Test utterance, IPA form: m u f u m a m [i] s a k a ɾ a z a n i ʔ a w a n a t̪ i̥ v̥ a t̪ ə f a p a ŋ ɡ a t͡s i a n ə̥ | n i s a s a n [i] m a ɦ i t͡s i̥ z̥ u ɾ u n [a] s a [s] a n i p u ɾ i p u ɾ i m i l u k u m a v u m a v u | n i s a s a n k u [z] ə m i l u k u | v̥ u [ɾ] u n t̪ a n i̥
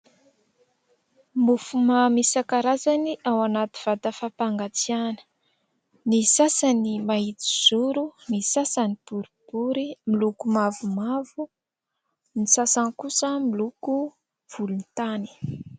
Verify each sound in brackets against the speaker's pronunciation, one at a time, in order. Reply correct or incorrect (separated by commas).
correct, correct, incorrect, correct, incorrect, incorrect